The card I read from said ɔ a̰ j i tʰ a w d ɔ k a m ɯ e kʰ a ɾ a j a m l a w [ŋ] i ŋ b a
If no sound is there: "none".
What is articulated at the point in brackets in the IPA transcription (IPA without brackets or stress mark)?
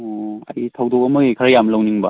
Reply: n